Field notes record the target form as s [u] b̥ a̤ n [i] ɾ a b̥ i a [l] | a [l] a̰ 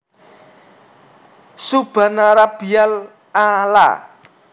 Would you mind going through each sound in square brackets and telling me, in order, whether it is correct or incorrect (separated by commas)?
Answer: correct, incorrect, correct, correct